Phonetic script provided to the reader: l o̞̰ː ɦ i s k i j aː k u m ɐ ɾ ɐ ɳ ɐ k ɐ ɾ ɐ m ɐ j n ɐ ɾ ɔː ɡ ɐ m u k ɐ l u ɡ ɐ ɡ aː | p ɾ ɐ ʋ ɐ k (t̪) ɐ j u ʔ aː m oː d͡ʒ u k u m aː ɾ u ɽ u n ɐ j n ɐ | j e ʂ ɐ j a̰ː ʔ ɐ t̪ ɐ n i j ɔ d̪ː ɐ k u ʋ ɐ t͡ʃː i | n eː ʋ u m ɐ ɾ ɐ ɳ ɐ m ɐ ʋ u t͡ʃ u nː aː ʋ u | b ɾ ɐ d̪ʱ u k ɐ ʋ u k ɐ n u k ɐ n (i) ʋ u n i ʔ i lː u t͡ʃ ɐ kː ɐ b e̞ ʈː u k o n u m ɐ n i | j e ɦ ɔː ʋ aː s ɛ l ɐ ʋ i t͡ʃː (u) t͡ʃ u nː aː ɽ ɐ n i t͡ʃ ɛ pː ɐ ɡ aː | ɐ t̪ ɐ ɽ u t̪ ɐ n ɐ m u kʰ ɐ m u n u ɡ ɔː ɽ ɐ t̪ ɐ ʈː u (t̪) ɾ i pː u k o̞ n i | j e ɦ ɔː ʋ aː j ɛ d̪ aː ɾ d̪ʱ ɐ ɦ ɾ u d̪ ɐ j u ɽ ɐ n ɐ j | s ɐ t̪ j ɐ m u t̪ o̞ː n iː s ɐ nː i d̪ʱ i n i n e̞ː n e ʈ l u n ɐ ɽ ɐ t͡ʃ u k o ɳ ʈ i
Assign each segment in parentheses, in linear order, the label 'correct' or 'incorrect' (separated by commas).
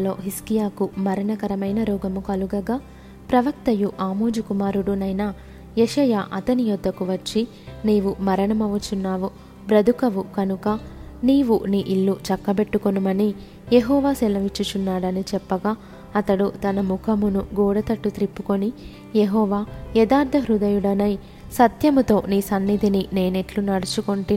correct, incorrect, correct, correct